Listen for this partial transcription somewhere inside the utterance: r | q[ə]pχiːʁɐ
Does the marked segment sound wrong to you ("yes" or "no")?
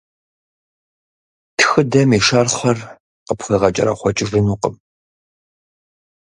no